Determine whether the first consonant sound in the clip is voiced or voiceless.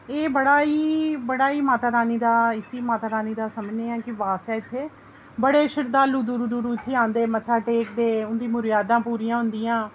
voiced